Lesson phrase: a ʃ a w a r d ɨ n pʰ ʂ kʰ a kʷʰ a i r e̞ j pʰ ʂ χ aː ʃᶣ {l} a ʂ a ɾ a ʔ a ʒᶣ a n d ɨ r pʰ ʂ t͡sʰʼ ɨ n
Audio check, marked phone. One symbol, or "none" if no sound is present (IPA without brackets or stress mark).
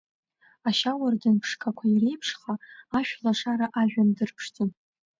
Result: l